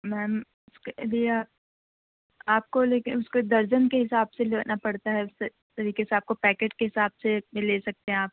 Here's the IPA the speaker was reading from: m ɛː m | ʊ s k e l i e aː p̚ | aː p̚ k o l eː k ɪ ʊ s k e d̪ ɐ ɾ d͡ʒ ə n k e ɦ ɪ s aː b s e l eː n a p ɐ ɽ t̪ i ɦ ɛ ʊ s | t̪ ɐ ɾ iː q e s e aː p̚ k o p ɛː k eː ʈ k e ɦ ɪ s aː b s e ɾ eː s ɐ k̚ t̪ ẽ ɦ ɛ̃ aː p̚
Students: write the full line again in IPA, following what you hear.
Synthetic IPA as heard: m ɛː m | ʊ s k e l i e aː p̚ | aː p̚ k o l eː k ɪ ʊ s k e d̪ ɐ ɾ d͡ʒ ə n k e ɦ ɪ s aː b s e l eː n a p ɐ ɽ t̪ a ɦ ɛ ʊ s | t̪ ɐ ɾ iː k e s e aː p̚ k o p ɛː k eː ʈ k e ɦ ɪ s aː b s e l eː s ɐ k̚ t̪ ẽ ɦ ɛ̃ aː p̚